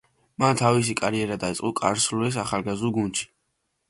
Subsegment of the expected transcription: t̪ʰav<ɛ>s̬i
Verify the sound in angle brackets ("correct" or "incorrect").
incorrect